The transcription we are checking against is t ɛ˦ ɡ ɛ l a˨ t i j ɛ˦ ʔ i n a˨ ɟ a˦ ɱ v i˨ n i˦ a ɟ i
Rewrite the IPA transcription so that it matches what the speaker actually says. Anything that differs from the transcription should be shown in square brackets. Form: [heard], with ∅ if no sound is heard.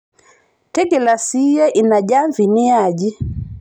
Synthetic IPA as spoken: t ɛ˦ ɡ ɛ l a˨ [s] i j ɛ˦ ʔ i n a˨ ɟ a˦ ɱ v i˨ n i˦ a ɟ i